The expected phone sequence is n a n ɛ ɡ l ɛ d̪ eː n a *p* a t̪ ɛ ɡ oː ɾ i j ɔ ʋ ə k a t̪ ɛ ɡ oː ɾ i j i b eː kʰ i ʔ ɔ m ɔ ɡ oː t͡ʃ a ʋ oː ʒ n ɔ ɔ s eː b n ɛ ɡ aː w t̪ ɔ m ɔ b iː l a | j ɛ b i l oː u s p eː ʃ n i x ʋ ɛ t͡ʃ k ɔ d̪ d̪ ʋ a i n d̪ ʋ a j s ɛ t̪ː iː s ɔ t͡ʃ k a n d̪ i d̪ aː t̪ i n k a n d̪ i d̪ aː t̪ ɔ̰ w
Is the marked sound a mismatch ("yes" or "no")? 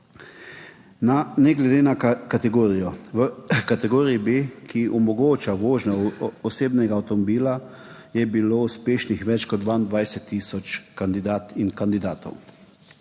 yes